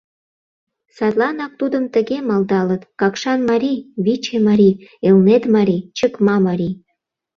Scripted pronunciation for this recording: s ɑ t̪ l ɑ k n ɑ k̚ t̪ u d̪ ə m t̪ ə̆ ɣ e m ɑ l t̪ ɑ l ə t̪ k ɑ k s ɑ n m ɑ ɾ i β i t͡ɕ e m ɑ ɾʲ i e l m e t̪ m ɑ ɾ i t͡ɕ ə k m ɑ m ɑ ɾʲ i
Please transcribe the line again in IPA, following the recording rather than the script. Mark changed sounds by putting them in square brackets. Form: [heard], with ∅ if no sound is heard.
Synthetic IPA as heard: s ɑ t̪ l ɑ [∅] n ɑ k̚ t̪ u d̪ ə m t̪ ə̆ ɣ e m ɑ l [d̪] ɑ l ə t̪ k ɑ k [ʃ] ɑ n m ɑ ɾ i β i t͡ɕ e m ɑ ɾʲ i e l [n] e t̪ m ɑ ɾ i t͡ɕ ə k m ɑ m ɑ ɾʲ i

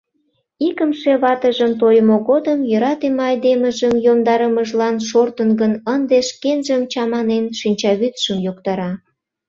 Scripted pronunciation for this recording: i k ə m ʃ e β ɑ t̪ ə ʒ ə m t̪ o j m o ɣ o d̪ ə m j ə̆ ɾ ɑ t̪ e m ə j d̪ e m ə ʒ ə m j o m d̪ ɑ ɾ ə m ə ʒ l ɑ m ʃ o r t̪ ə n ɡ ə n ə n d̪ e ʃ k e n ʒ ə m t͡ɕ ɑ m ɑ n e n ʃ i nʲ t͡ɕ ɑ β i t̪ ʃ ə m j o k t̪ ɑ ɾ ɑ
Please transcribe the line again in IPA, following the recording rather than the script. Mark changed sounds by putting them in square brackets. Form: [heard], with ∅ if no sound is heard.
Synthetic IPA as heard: i k ə m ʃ e β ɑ t̪ ə ʒ ə m t̪ o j m o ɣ o d̪ ə m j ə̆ ɾ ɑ t̪ e m [ɑ] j d̪ e m ə ʒ ə m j o m d̪ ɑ ɾ ə m ə ʒ l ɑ [n] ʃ o r t̪ ə n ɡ ə n ə n d̪ e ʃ k e n ʒ ə m t͡ɕ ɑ m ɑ n e n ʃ i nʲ t͡ɕ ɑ β [y] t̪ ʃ ə m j o k t̪ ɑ ɾ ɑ

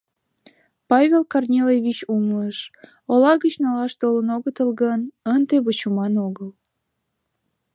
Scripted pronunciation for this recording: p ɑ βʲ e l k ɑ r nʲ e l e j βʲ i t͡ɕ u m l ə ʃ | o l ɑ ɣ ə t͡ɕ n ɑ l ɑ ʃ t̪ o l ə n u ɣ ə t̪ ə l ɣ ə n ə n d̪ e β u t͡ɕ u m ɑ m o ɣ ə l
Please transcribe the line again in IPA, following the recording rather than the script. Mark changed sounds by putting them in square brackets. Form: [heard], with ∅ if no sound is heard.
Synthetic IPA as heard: p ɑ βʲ e l k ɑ r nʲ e l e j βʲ i t͡ɕ u m l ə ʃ | o l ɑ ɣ ə t͡ɕ n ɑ l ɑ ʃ t̪ o l ə n [o] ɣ ə t̪ ə l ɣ ə n ə n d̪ e β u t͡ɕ u m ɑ [n] o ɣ ə l

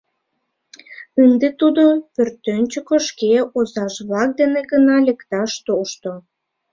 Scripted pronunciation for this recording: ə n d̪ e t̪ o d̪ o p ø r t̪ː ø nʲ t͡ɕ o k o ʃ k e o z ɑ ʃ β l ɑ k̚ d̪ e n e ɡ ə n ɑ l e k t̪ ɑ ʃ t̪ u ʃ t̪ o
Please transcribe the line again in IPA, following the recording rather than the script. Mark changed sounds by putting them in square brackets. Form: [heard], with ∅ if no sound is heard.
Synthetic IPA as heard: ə n d̪ e t̪ [u] d̪ o p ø r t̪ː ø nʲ t͡ɕ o k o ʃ k e o z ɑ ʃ β l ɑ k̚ d̪ e n e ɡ ə n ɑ l e k t̪ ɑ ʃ t̪ [o] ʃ t̪ o

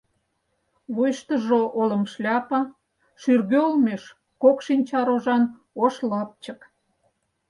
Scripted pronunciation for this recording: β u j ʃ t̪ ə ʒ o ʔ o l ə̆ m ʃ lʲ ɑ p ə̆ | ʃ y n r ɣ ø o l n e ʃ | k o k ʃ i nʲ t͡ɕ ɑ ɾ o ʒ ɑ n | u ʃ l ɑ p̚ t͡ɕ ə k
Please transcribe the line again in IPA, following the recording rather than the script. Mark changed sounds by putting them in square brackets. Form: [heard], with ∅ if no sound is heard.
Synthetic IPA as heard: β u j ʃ t̪ ə ʒ o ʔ o l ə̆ m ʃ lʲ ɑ p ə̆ | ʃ y [∅] r ɣ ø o l [m] e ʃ | k o k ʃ i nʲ t͡ɕ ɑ ɾ o ʒ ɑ n | [o] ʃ l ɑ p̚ t͡ɕ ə k

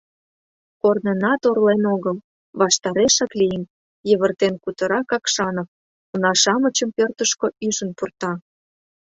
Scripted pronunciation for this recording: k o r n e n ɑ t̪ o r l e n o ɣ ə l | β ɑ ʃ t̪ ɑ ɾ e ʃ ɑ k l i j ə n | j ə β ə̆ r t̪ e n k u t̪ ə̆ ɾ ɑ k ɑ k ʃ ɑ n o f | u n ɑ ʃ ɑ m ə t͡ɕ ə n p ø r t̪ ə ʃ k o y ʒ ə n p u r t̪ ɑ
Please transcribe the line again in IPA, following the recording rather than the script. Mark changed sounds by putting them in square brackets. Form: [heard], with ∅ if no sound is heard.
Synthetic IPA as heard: k o r n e n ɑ t̪ o r l e n o ɣ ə l | β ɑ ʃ t̪ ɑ ɾ e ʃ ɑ k l i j ə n | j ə β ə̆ r t̪ e n k u t̪ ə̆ ɾ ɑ k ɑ k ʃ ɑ n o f | u n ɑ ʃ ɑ m ə t͡ɕ ə [m] p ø r t̪ ə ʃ k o y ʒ ə n p u r t̪ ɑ

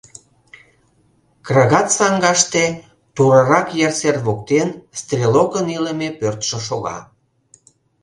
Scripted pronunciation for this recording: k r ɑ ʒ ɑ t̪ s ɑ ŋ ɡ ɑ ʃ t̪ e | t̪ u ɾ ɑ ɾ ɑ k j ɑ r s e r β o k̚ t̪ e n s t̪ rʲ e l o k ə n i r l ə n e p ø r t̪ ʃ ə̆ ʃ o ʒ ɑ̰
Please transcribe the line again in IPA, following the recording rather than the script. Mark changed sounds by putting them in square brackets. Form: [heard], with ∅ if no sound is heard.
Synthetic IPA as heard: k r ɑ [ɣ] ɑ t̪ s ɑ ŋ ɡ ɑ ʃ t̪ e | t̪ u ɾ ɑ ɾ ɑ k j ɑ r s e r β o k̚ t̪ e n s t̪ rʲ e l o k ə n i [∅] l ə [m] e p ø r t̪ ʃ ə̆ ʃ o [ɣ] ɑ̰

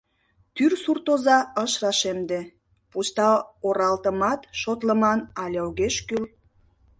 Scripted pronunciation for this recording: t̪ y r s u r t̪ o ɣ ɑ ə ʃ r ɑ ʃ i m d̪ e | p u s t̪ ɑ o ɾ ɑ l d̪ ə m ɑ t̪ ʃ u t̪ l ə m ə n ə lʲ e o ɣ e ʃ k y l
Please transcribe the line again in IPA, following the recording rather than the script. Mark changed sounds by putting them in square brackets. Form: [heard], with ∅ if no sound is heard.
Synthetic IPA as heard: t̪ y r s u r t̪ o [z] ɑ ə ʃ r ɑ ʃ [e] m d̪ e | p u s t̪ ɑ o ɾ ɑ l [t̪] ə m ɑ t̪ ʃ [o] t̪ l ə m [ɑ] n [ɑ] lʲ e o ɣ e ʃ k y l

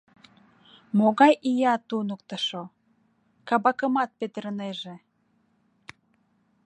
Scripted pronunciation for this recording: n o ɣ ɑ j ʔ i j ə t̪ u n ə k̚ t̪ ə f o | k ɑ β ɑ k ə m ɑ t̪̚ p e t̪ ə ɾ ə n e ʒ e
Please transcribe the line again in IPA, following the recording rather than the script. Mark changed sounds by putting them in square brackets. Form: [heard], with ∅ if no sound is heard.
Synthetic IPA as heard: [m] o ɣ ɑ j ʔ i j [ɑ] t̪ u n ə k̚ t̪ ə [ʃ] o | k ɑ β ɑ k ə m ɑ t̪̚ p e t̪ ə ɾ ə n e ʒ e

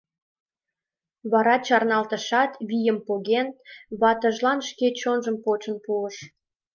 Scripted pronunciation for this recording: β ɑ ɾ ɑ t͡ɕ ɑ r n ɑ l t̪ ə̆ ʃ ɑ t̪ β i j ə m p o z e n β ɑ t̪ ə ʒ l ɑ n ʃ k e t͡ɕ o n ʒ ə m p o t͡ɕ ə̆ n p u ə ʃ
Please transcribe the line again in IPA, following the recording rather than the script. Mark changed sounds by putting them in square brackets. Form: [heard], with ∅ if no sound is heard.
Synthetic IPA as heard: β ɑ ɾ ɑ t͡ɕ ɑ r n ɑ l t̪ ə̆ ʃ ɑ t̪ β i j ə m p o [ɣ] e n β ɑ t̪ ə ʒ l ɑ n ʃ k e t͡ɕ o n ʒ ə m p o t͡ɕ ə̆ n p u ə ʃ

